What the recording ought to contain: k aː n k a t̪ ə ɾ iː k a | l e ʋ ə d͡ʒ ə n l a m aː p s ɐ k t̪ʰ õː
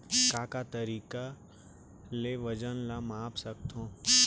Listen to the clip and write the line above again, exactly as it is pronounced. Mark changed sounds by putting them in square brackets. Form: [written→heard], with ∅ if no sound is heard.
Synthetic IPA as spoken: k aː [n→∅] k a t̪ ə ɾ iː k a | l e ʋ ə d͡ʒ ə n l a m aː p s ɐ k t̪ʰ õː